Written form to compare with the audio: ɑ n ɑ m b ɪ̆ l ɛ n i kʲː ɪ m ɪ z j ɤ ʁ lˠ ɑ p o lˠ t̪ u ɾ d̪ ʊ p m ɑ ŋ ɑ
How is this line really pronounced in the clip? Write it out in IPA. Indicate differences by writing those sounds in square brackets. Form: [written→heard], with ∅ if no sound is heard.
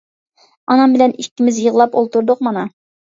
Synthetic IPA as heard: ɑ n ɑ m b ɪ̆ l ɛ n i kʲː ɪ m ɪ z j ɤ ʁ lˠ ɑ p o lˠ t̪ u ɾ d̪ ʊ [p→q] m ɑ [ŋ→n] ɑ